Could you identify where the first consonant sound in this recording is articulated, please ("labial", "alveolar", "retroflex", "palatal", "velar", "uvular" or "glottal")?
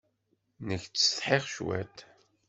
alveolar